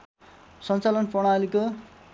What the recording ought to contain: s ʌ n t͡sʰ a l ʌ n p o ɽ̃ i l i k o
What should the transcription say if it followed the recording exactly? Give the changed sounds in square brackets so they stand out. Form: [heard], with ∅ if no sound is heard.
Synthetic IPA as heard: s ʌ n [t͡s] a l ʌ n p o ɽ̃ [a] l i k o